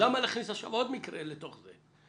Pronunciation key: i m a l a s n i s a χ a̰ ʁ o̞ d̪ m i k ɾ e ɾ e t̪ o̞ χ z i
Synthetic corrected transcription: a m a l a χ n i s a ʃ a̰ v o̞ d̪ m i k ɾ e l e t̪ o̞ χ z e